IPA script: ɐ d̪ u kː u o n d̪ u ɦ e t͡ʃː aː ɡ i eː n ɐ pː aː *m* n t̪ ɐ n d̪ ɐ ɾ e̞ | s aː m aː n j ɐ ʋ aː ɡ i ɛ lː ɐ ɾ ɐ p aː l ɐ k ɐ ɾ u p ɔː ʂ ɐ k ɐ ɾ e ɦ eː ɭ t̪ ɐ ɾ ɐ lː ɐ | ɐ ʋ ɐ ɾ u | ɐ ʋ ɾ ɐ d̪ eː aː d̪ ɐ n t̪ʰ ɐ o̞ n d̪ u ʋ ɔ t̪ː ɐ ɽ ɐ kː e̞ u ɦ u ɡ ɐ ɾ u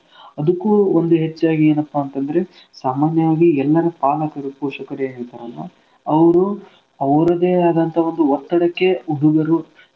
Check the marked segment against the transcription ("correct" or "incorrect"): incorrect